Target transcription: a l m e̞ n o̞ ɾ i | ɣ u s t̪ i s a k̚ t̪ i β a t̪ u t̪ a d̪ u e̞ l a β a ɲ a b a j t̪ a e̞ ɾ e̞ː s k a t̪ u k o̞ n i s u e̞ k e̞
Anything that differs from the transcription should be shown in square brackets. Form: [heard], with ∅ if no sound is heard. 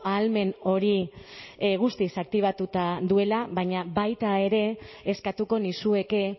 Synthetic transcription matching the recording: a l m e̞ n o̞ ɾ i | ɣ u s t̪ i s a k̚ t̪ i β a t̪ u t̪ a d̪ u e̞ l a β a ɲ a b a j t̪ a e̞ ɾ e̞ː s k a t̪ u k o̞ n i s u e̞ k e̞